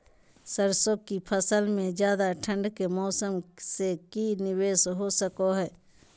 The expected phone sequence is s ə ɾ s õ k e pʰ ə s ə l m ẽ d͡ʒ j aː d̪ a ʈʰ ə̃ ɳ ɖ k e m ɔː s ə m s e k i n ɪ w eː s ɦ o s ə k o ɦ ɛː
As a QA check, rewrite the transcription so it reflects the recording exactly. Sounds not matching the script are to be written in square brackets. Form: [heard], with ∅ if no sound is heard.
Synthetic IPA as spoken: s ə ɾ s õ k [i] pʰ ə s ə l m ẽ d͡ʒ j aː d̪ a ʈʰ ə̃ ɳ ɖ k e m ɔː s ə m s e k i n ɪ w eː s ɦ o s ə k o ɦ ɛː